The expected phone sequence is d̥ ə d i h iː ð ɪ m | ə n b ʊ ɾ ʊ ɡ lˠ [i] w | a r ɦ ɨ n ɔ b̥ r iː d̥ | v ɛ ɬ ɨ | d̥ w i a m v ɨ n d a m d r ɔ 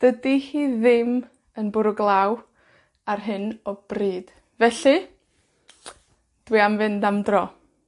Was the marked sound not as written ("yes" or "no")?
yes